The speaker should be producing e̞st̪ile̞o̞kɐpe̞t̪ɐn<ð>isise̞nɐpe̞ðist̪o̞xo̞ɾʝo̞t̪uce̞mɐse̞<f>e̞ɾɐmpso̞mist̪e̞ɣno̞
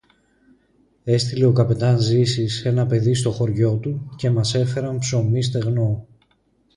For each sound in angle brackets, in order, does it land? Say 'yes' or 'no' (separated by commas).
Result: no, yes